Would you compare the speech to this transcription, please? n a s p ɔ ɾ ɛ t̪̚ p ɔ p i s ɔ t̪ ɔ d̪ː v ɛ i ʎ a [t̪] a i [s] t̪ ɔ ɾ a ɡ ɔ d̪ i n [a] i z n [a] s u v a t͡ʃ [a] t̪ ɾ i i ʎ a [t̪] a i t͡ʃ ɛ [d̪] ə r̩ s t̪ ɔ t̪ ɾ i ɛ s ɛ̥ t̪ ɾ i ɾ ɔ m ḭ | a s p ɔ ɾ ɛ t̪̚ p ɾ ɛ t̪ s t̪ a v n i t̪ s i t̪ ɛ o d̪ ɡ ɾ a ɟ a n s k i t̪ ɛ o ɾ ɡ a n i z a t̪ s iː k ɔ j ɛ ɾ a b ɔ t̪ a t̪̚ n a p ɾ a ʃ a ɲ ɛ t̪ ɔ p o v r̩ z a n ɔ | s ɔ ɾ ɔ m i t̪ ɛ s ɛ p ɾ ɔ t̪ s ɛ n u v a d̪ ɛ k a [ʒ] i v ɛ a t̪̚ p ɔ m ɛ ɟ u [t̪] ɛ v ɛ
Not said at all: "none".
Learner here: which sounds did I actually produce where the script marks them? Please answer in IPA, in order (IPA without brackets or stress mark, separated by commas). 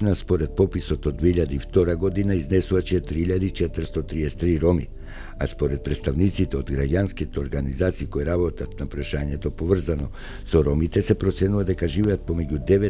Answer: d̪, f, a, ɛ, ɛ, d̪, t̪, ʒ, d̪